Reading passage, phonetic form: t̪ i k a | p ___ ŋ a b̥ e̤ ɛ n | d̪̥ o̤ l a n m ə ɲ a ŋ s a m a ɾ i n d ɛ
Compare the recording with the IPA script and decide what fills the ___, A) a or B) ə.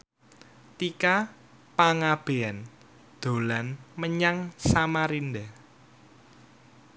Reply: A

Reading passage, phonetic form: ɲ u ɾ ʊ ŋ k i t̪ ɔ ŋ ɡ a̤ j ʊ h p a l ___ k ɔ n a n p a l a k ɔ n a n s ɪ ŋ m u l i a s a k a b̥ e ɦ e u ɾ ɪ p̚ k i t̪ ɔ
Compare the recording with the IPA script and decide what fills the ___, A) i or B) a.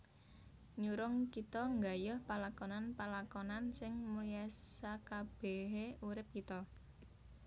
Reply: B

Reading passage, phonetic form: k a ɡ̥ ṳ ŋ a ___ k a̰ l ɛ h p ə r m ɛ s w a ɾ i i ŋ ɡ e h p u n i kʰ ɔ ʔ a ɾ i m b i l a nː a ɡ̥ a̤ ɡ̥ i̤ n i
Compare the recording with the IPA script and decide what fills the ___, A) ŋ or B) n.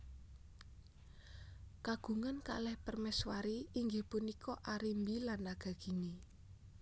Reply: B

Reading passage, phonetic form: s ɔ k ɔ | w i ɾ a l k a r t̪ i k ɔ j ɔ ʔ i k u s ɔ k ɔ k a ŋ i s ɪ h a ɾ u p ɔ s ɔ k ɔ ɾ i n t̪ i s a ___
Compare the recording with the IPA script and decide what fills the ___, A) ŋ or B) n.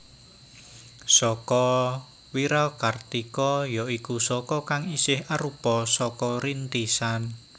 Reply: B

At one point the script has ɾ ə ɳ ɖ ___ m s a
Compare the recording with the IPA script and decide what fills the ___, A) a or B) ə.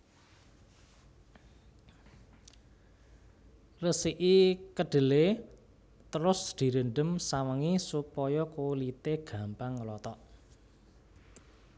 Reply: B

